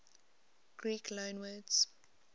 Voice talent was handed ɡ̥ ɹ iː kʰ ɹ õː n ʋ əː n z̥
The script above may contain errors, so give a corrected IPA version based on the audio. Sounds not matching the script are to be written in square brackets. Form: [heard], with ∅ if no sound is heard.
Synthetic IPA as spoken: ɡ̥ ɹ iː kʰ [l] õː n [w] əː [d] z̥